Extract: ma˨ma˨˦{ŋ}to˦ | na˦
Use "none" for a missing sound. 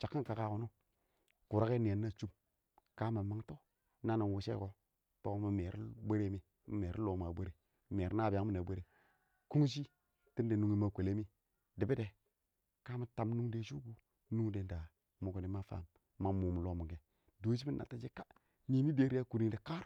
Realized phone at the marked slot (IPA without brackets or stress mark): ŋ